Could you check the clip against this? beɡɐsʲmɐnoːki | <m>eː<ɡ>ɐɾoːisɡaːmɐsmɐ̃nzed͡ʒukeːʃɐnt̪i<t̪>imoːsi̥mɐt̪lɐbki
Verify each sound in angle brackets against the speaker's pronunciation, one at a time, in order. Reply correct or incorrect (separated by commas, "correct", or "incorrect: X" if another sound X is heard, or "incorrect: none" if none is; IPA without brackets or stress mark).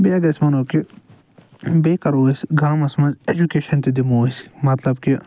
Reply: incorrect: b, incorrect: k, incorrect: d̪